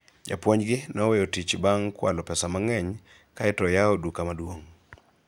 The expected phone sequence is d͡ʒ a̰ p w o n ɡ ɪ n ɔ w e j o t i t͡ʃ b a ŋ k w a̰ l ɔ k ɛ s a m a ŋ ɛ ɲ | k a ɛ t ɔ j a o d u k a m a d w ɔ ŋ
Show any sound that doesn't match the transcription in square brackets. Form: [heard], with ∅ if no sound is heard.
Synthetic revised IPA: d͡ʒ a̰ p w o [ɲ] ɡ ɪ n ɔ w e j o t i t͡ʃ b a ŋ k w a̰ l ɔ [p] ɛ s a m a ŋ ɛ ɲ | k a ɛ t ɔ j a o d u k a m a d w [o] ŋ